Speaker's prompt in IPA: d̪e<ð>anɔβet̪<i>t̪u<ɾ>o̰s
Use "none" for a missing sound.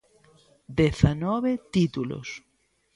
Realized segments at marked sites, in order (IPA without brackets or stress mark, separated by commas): θ, i, l